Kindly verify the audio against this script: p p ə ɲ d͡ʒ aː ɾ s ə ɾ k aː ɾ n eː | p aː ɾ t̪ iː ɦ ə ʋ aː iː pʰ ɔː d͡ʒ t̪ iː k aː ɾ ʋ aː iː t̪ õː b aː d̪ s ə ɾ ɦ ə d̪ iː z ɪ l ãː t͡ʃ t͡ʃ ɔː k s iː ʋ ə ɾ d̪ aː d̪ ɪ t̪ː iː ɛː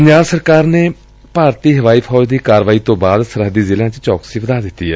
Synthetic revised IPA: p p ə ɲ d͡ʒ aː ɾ s ə ɾ k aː ɾ n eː | p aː ɾ t̪ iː ɦ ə ʋ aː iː pʰ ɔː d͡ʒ d̪ iː k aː ɾ ʋ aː iː t̪ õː b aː d̪ s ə ɾ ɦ ə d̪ iː z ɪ l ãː t͡ʃ t͡ʃ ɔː k s iː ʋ ə d̪ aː d̪ ɪ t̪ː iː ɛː